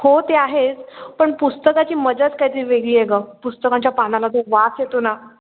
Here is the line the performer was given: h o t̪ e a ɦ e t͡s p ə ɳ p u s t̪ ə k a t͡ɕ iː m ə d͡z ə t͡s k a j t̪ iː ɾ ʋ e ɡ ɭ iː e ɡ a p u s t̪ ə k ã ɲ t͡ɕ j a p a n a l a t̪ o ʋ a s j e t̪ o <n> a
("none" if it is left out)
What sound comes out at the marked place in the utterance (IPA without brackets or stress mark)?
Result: n